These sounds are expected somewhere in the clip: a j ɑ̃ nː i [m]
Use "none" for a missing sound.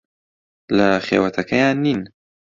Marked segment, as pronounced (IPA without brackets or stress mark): n